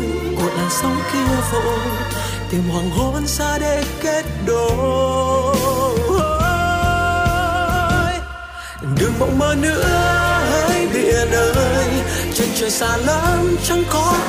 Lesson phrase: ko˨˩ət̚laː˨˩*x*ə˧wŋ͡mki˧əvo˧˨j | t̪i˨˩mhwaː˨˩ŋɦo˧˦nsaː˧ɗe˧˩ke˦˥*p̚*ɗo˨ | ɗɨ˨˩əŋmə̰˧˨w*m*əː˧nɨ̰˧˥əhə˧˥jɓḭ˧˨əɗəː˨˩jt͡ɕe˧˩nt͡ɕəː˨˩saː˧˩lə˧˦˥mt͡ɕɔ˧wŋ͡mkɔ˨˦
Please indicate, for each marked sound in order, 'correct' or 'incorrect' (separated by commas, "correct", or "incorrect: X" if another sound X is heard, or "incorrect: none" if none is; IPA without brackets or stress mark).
incorrect: s, incorrect: t̚, correct